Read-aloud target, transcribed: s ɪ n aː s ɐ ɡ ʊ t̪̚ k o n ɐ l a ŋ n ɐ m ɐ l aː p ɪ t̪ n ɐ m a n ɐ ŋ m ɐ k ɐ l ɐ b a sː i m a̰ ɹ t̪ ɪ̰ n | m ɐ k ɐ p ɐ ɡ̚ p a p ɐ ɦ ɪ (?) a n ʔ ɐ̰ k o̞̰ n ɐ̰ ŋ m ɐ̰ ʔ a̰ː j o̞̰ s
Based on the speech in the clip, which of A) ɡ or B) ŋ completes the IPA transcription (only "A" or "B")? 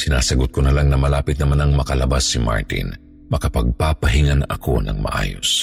B